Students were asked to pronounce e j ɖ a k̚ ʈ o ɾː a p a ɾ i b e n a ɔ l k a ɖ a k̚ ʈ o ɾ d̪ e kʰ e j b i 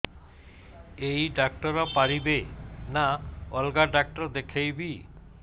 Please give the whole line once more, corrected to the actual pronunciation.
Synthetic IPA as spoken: e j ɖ a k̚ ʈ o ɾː a p a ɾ i b e n a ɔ l ɡ a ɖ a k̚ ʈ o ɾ d̪ e kʰ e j b i